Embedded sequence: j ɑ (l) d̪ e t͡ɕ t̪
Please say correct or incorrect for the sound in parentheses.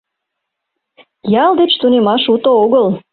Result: correct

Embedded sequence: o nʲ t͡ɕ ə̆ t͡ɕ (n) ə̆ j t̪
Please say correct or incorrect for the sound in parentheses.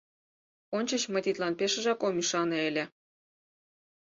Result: incorrect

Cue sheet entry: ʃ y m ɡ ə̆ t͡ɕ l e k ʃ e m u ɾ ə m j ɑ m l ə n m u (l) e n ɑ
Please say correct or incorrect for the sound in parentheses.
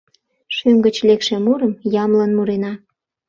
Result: incorrect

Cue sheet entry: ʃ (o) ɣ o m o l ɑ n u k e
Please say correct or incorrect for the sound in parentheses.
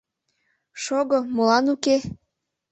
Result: correct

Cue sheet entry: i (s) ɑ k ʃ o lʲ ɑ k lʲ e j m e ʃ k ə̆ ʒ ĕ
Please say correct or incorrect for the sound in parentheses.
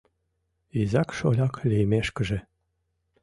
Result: incorrect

